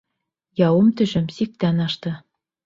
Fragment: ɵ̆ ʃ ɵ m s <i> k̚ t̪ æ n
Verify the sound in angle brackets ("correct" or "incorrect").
correct